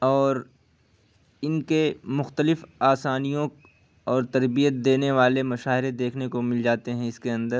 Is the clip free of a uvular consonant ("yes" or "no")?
yes